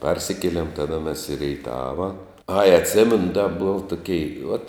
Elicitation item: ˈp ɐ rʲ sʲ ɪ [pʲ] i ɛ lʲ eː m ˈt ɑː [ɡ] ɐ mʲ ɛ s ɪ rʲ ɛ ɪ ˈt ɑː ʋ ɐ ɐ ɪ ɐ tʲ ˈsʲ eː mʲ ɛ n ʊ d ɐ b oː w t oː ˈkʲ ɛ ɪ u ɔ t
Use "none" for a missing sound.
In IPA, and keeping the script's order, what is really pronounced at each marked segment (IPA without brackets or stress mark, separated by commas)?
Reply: kʲ, d